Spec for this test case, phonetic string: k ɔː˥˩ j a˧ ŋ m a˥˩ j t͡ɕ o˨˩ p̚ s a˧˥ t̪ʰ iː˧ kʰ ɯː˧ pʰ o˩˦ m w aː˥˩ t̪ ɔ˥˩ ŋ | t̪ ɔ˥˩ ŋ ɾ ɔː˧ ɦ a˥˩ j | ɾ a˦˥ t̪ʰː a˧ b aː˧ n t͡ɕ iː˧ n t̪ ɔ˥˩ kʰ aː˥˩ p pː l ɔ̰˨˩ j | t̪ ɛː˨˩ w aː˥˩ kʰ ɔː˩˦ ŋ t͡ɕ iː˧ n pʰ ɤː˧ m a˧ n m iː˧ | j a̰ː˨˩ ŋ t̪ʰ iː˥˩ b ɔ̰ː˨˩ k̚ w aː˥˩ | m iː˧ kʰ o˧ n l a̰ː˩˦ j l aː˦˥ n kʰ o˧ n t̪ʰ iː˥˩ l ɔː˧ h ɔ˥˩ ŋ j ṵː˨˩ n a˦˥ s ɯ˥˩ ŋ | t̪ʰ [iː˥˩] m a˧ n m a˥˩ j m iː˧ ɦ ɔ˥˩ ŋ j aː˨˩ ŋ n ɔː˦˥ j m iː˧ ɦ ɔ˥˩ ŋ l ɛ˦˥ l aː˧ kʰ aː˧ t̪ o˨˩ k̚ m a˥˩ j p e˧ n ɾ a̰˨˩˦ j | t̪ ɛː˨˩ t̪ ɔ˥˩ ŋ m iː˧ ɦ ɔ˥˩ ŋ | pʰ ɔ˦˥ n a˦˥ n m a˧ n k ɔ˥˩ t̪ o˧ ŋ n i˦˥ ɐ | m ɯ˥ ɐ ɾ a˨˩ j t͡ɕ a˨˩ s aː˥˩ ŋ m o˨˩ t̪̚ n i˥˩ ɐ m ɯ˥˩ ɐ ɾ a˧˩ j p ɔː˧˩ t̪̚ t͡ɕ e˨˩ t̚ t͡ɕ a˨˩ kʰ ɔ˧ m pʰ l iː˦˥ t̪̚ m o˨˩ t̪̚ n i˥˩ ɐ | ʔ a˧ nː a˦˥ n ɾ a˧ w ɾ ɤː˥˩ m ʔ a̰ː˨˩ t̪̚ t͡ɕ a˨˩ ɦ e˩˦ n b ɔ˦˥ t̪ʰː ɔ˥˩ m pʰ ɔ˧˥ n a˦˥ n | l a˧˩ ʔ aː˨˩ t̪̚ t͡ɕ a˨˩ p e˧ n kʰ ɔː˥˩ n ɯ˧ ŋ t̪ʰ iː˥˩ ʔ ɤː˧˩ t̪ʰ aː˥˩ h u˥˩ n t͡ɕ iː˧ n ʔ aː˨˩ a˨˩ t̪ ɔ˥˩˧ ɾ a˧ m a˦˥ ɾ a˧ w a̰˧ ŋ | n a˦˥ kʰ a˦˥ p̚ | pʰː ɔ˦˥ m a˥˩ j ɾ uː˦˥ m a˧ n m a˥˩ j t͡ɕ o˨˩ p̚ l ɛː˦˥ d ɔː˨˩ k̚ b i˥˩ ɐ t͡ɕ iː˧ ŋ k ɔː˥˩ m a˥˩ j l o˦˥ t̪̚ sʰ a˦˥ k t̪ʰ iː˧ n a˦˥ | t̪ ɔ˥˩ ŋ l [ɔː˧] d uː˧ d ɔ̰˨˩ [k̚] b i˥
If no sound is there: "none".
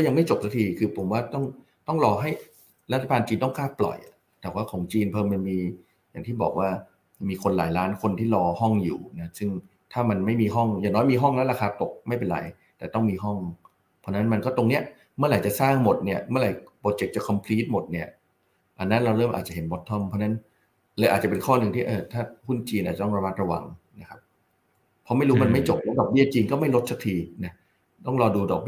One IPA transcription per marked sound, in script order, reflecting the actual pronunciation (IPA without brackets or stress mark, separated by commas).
aː˥˩, ɔː˧, k̚